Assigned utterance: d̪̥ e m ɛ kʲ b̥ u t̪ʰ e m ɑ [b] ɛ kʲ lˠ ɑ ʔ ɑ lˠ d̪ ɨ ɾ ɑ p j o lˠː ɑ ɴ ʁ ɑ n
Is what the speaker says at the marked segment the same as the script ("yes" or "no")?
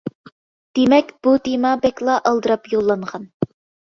yes